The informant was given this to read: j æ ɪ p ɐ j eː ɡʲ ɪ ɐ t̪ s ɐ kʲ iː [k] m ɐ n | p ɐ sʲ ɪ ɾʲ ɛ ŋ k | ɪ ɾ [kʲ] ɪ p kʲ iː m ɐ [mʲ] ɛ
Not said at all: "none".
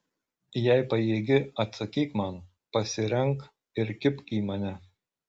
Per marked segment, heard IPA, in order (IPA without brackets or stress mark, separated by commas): k, kʲ, nʲ